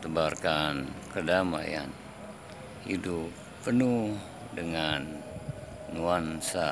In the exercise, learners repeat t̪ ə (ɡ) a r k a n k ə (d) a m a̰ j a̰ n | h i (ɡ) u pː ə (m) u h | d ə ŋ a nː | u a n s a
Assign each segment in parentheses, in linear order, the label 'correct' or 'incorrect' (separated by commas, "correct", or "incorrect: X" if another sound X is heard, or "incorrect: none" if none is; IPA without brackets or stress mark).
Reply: incorrect: b, correct, incorrect: d, incorrect: n